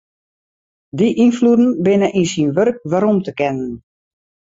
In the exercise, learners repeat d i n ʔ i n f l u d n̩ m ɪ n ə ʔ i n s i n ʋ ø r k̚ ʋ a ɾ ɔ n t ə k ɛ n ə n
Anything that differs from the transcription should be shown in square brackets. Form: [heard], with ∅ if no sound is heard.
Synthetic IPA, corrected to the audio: d i [∅] ʔ i n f l u d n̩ [b] ɪ n ə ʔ i n s i n ʋ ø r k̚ ʋ a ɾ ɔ [m] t ə k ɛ n ə n